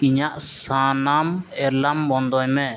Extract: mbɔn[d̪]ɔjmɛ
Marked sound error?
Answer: no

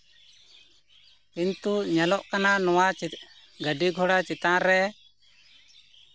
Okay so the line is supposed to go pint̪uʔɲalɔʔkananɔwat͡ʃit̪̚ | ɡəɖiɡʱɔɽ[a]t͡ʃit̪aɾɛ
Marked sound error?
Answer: no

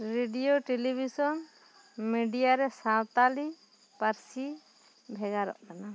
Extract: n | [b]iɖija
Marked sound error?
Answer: yes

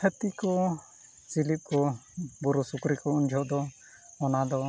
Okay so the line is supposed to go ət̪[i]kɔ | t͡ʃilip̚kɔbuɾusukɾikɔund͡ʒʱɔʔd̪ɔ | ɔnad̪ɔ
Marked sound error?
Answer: no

